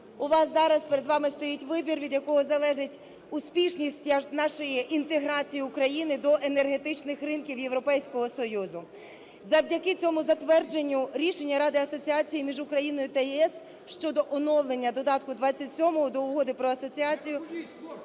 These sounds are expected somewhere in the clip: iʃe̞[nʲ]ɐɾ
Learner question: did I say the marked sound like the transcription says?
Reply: no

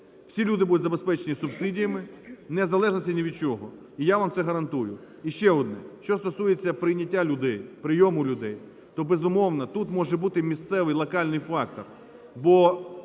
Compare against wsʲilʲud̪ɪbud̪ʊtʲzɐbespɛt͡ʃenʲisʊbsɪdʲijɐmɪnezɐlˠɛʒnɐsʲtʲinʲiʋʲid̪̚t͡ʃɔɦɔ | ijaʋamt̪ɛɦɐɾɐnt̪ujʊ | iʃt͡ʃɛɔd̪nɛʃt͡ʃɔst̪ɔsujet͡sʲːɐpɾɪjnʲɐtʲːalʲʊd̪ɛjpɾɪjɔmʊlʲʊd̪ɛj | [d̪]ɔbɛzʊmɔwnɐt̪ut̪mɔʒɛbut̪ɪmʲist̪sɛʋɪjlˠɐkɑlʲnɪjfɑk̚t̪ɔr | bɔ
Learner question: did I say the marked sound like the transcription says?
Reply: no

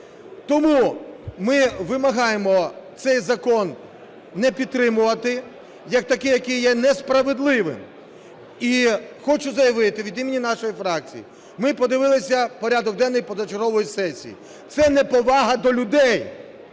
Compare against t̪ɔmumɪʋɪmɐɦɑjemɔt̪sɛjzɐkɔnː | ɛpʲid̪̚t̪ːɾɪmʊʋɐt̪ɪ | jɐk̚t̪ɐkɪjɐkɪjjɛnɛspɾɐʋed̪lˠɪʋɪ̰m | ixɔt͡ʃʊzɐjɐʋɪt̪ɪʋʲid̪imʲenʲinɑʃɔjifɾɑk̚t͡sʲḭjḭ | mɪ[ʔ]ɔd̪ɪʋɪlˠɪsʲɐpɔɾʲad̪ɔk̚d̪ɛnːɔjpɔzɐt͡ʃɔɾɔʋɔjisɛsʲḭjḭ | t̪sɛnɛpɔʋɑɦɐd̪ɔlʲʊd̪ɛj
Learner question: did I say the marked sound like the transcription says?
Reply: no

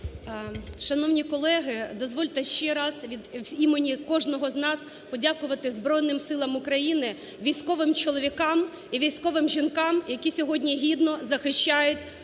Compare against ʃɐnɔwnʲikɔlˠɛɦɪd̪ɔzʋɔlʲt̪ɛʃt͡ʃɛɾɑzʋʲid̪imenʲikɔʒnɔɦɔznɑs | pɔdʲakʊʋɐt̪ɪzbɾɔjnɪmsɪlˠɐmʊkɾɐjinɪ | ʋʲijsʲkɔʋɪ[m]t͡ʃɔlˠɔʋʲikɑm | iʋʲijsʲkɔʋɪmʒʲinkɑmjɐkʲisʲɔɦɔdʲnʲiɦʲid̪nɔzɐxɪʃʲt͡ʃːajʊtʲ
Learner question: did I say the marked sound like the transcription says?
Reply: yes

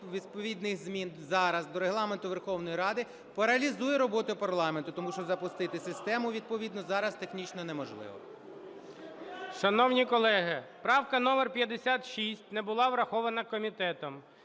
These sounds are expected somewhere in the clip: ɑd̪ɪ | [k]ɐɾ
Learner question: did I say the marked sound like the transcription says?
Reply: no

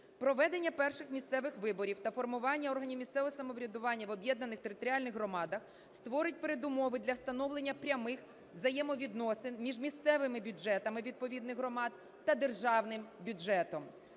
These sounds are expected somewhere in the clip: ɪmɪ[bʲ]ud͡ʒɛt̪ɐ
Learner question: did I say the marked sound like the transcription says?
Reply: yes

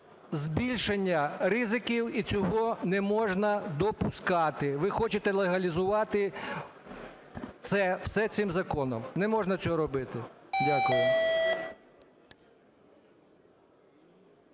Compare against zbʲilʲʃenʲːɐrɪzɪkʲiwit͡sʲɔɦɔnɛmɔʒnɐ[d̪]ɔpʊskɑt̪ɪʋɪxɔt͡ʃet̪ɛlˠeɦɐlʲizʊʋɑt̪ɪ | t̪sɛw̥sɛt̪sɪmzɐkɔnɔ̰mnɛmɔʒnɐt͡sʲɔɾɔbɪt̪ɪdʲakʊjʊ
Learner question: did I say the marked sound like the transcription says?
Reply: yes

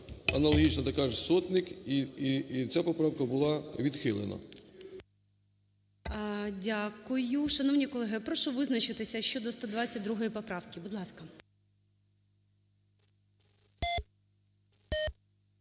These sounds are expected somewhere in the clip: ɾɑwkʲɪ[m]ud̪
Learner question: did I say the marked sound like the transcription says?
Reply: no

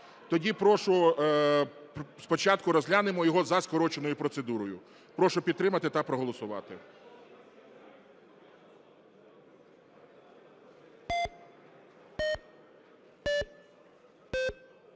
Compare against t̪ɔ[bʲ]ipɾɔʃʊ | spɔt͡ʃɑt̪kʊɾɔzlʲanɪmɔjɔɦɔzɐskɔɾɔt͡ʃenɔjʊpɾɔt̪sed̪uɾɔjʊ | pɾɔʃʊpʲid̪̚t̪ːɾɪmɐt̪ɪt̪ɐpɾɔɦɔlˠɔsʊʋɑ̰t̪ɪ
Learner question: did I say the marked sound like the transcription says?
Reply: no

